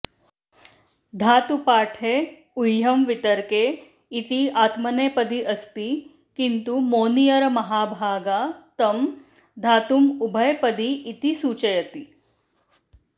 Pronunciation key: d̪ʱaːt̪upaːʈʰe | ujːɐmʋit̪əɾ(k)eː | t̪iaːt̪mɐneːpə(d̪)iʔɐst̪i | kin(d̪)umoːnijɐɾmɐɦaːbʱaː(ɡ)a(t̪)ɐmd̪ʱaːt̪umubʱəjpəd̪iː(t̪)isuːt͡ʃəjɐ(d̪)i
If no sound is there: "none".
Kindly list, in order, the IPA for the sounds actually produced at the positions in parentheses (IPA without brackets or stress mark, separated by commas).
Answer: k, d̪, t̪, ɡ, t̪, t̪, t̪